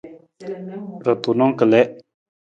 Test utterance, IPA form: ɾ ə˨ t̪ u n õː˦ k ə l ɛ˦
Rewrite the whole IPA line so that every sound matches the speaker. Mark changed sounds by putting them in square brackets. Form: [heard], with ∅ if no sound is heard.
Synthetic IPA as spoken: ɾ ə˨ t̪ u n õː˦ k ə l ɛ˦